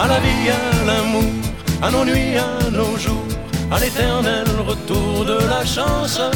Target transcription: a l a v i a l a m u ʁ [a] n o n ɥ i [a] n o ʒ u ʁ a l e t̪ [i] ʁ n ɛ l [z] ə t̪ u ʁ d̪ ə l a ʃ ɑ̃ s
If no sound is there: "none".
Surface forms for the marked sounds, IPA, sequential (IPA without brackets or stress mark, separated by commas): a, a, ɛ, ʁ